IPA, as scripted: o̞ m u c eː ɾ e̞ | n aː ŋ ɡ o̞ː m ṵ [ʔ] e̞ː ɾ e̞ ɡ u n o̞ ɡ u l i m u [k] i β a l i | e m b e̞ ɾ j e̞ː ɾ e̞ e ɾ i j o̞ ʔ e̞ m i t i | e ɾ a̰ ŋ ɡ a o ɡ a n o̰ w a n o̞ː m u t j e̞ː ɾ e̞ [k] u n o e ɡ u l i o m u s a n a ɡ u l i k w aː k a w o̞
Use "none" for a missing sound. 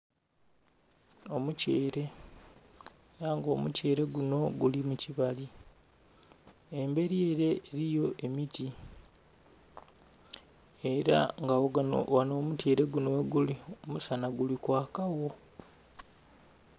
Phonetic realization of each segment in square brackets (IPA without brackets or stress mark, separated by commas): c, c, ɡ